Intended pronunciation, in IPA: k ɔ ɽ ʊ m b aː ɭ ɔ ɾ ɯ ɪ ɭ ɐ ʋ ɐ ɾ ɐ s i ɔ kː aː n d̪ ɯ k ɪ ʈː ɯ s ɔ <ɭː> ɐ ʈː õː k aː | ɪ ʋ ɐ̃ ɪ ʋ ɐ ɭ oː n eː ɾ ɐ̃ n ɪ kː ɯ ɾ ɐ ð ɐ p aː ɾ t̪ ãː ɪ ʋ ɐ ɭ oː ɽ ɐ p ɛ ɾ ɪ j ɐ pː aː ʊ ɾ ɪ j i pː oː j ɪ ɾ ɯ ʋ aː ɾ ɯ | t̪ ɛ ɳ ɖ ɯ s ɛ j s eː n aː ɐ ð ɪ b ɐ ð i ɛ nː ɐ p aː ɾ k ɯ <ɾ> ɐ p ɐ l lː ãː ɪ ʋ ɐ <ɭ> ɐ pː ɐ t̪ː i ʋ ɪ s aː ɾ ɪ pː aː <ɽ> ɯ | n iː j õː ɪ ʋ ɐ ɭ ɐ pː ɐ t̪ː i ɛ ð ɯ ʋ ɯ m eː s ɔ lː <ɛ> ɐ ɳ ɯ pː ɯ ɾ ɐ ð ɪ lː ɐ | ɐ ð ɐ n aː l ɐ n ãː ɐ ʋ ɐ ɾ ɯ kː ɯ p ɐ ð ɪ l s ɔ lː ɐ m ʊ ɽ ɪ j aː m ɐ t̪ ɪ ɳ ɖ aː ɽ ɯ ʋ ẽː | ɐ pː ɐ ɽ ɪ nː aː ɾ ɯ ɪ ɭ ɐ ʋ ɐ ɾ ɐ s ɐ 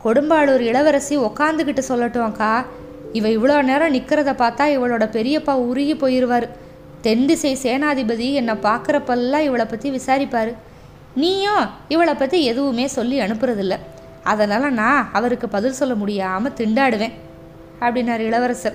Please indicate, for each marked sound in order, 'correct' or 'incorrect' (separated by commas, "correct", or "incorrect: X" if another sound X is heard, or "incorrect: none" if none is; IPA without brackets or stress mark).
incorrect: lː, correct, correct, incorrect: ɾ, incorrect: i